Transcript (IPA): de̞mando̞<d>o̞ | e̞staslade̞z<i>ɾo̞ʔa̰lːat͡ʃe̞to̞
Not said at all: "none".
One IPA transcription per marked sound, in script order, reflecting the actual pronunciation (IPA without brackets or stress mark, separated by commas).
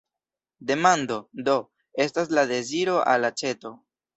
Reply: d, i